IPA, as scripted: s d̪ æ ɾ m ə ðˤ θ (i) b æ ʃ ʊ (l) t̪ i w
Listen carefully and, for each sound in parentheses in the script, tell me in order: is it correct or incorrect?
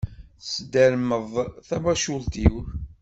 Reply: incorrect, correct

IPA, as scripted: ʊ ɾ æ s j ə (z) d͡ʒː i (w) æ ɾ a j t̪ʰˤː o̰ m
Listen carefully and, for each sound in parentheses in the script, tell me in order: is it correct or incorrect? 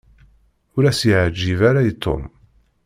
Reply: incorrect, incorrect

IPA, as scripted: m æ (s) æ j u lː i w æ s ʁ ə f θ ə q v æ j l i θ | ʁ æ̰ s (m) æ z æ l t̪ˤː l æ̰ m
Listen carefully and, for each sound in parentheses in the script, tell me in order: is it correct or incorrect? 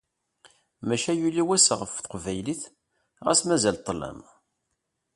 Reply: incorrect, correct

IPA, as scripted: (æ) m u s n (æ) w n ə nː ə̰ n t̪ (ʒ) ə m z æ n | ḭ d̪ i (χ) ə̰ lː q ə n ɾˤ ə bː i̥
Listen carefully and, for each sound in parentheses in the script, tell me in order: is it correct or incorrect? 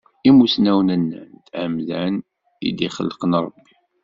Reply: incorrect, correct, incorrect, correct

